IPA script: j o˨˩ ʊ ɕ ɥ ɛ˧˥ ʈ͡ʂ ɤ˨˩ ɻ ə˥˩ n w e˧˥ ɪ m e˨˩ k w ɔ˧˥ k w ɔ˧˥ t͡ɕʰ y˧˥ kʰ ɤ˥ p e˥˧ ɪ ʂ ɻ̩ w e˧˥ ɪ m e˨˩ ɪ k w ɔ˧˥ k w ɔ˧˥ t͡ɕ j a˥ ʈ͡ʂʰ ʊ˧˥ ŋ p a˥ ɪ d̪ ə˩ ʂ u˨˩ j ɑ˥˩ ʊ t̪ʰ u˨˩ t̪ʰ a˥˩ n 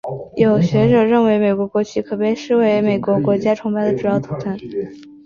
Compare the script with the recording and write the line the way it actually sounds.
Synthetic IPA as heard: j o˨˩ ʊ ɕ ɥ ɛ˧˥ ʈ͡ʂ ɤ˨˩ ɻ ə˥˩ n w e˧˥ ɪ m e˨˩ k w ɔ˧˥ k w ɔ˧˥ t͡ɕʰ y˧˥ kʰ ɤ˨˩ p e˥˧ ɪ ʂ ɻ̩ w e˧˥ ɪ m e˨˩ ɪ k w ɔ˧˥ k w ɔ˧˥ t͡ɕ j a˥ ʈ͡ʂʰ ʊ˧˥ ŋ p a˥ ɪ d̪ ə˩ ʈ͡ʂ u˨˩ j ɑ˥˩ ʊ t̪ʰ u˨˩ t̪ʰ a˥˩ n

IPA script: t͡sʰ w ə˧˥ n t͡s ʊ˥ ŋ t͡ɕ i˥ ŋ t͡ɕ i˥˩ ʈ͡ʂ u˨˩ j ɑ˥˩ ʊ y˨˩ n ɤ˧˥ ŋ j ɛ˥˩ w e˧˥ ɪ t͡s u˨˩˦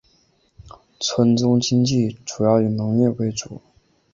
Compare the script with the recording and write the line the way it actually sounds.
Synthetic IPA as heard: t͡sʰ w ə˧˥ n t͡s ʊ˥ ŋ t͡ɕ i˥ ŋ t͡ɕ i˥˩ ʈ͡ʂ u˨˩ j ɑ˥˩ ʊ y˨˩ n ɤ˧˥ ŋ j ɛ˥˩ w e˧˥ ɪ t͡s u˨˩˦

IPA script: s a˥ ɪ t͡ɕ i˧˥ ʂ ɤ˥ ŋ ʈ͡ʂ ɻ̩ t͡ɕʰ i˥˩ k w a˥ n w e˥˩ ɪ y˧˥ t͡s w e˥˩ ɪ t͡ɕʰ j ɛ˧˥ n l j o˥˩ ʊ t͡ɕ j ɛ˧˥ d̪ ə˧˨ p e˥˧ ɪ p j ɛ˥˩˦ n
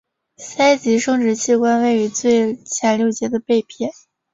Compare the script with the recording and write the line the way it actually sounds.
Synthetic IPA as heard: s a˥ ɪ t͡ɕ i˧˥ ʂ ɤ˥ ŋ ʈ͡ʂ ɻ̩ t͡ɕʰ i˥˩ k w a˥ n w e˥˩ ɪ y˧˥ t͡s w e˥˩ ɪ t͡ɕʰ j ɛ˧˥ n l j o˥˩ ʊ t͡ɕ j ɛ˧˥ d̪ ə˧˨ p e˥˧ ɪ pʰ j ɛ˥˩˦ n

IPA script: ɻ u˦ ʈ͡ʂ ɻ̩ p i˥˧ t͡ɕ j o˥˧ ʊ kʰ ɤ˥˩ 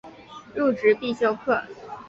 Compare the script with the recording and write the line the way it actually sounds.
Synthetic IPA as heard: ɻ u˥˩ ʈ͡ʂ ɻ̩ p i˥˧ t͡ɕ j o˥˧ ʊ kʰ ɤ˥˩

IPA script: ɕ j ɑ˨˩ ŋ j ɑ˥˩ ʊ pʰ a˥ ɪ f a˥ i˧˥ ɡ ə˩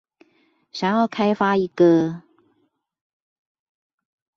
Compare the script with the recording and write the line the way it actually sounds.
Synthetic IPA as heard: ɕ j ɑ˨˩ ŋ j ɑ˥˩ ʊ kʰ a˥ ɪ f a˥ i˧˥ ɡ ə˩

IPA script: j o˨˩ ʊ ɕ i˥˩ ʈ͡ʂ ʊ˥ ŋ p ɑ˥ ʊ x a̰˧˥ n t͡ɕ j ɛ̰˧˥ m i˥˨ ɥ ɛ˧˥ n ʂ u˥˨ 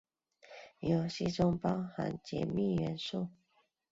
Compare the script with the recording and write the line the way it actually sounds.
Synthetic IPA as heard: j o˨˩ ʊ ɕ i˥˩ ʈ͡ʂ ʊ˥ ŋ p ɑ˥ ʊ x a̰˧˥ n t͡ɕ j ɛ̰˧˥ m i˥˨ ɥ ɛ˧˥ n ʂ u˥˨

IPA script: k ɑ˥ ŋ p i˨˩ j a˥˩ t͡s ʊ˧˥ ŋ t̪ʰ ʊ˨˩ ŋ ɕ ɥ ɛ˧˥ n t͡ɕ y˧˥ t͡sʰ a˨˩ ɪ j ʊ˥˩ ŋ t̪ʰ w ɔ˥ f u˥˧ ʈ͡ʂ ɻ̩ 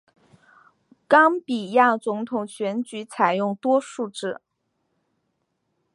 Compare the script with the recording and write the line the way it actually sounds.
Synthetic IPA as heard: k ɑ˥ ŋ p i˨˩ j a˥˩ t͡s ʊ˧˥ ŋ t̪ʰ ʊ˨˩ ŋ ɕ ɥ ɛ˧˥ n t͡ɕ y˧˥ t͡sʰ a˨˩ ɪ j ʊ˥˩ ŋ t̪ w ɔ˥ ʂ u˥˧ ʈ͡ʂ ɻ̩

